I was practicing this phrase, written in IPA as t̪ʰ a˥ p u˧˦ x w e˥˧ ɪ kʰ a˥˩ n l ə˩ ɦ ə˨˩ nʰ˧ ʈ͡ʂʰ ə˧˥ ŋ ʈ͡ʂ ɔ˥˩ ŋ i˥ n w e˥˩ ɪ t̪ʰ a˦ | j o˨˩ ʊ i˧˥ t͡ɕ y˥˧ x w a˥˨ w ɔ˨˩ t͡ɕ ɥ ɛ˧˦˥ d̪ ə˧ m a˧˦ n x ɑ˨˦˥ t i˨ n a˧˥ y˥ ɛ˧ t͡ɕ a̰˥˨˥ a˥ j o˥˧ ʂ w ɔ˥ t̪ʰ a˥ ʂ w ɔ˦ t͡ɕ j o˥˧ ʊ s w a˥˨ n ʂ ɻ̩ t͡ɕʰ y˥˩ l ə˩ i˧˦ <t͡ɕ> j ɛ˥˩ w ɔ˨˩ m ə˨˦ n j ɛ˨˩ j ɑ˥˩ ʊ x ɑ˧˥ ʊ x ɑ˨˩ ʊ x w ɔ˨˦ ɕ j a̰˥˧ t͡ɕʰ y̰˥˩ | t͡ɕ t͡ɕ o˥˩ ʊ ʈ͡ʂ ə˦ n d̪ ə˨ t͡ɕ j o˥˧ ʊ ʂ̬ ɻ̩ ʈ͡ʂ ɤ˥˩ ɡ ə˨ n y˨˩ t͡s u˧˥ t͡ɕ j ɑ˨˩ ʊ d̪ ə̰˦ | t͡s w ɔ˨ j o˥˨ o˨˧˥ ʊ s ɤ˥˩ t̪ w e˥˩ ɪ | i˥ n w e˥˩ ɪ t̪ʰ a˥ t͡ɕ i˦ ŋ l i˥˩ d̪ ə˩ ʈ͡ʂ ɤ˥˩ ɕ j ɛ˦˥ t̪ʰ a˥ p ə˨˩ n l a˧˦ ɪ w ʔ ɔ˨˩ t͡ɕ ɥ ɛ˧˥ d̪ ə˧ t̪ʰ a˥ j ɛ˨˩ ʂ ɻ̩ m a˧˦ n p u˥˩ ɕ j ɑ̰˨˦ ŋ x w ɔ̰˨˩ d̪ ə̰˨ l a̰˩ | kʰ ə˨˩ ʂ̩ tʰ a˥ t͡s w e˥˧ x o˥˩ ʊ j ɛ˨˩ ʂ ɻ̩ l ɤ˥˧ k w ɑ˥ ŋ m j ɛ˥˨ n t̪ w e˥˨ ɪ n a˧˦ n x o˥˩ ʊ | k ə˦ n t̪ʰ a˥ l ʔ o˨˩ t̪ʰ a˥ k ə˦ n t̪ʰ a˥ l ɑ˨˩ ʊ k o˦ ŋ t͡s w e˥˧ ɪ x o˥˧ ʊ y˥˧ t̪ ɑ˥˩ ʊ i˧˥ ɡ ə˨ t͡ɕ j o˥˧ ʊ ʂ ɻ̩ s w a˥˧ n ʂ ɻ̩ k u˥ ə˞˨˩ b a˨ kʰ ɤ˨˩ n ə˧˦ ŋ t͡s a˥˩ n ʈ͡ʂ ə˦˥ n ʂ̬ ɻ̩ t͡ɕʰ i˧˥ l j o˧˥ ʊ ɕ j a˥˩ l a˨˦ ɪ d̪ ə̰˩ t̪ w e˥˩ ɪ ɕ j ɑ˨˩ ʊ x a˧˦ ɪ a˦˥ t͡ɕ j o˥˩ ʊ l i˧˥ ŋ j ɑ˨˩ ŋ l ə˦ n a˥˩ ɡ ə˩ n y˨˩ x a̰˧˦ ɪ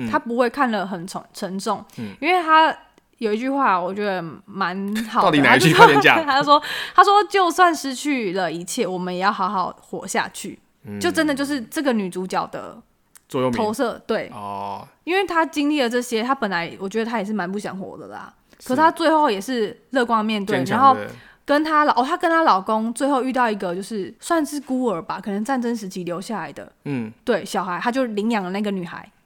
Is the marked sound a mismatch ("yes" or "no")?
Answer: yes